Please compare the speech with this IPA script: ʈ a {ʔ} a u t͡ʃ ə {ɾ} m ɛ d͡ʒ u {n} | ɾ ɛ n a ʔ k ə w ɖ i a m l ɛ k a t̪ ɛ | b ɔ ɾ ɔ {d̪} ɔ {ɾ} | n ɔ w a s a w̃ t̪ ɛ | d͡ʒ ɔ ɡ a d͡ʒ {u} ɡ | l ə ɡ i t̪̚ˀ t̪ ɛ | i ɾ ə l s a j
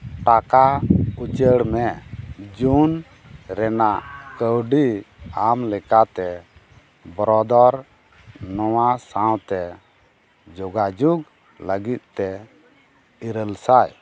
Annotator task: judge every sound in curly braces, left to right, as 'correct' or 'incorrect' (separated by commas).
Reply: incorrect, incorrect, correct, correct, correct, correct